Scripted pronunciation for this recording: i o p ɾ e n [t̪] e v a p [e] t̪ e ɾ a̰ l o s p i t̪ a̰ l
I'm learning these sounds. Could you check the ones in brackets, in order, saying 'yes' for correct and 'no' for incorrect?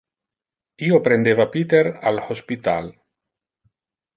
no, no

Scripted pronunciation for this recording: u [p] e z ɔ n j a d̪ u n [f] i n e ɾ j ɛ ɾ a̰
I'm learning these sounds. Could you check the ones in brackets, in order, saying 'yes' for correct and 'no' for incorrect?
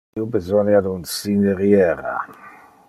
no, no

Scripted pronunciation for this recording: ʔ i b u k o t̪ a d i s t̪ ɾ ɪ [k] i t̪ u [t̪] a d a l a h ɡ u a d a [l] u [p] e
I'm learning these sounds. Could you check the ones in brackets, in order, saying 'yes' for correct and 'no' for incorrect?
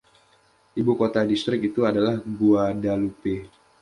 yes, no, yes, yes

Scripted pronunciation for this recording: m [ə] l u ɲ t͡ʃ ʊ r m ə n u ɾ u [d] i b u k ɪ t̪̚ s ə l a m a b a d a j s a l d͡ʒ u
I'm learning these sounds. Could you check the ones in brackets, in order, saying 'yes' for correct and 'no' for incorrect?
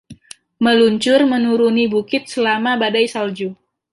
yes, no

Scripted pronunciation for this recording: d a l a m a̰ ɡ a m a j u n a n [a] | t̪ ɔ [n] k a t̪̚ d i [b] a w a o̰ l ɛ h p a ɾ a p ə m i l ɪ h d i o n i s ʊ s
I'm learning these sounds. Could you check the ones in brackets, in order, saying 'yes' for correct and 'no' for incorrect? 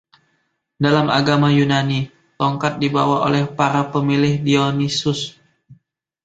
no, no, yes

